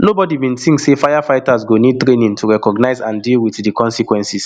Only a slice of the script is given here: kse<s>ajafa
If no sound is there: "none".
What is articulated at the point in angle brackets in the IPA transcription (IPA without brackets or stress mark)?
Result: f